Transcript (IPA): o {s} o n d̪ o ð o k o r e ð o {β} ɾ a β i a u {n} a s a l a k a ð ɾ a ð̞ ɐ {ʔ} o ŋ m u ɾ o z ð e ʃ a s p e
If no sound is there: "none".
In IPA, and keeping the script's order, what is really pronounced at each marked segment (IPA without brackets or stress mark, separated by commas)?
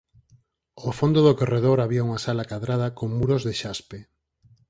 f, none, ŋ, k